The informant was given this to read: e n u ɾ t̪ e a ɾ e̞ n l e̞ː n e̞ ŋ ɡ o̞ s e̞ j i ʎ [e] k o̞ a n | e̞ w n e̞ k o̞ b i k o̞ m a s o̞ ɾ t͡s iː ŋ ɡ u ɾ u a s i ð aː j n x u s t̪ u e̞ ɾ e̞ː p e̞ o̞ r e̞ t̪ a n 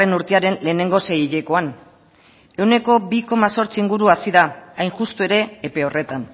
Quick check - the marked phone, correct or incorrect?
correct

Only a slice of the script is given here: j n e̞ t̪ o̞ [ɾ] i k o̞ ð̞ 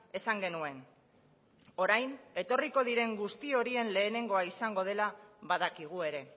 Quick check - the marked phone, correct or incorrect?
incorrect: r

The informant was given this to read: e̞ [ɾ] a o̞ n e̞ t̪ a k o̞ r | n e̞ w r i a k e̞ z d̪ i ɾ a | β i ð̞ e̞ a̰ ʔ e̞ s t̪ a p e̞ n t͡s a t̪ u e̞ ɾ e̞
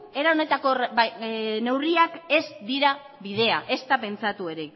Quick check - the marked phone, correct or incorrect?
correct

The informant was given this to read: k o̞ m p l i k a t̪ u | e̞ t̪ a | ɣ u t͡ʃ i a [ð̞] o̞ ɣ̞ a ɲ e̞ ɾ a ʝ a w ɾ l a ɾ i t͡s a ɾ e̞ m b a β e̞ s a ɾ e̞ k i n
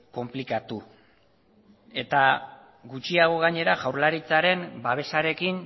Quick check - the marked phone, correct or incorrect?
incorrect: ɣ̞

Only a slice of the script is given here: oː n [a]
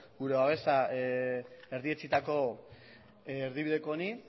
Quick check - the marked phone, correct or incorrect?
incorrect: i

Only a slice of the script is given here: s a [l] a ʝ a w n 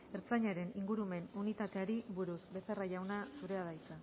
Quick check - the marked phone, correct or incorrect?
incorrect: r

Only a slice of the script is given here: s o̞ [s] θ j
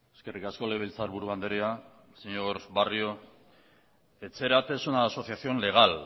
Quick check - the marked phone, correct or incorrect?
incorrect: none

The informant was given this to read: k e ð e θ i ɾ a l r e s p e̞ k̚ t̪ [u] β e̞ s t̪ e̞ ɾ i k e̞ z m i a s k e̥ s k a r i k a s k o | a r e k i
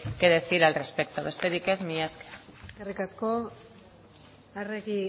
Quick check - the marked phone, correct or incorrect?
incorrect: o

